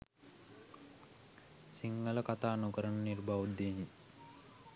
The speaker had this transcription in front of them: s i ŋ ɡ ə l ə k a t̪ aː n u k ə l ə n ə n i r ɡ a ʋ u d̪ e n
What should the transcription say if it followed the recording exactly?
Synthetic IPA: s i ŋ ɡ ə l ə k a t̪ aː n u k ə ɾ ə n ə n i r b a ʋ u d̪ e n